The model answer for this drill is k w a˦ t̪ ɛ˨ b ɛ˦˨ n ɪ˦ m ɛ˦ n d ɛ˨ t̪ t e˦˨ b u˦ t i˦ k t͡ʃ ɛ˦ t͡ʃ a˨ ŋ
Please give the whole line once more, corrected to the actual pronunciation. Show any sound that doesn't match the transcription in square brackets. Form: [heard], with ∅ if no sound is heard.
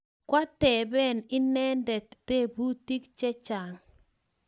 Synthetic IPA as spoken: k w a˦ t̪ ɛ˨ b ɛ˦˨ n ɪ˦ [n] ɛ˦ n d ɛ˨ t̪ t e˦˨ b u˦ t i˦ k t͡ʃ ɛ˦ t͡ʃ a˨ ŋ